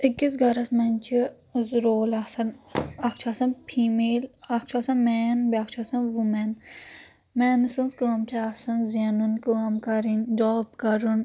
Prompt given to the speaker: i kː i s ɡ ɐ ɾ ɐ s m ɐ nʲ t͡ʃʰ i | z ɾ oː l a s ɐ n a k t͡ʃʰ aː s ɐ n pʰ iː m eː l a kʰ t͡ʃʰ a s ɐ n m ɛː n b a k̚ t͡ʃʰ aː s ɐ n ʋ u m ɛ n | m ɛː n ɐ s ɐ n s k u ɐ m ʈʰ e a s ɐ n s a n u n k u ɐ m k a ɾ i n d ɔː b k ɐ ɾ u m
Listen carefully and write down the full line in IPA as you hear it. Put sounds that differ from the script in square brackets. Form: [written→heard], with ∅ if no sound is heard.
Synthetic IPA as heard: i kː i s ɡ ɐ ɾ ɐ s m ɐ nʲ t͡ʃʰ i | z ɾ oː l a s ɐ n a k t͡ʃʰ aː s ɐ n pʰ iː m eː l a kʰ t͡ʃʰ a s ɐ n m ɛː n b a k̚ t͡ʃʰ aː s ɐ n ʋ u m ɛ n | m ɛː n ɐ s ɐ n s k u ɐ m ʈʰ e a s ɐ n [s→z] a n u n k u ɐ m k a ɾ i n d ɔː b k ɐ ɾ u [m→n]